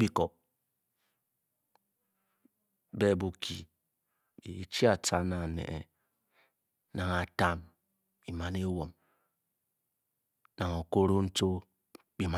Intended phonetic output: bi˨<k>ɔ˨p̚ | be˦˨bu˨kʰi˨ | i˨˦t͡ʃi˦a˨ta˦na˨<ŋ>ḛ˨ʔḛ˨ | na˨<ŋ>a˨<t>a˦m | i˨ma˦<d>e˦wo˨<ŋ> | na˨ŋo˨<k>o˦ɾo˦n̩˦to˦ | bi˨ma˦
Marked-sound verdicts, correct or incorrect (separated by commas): correct, incorrect, correct, correct, incorrect, incorrect, correct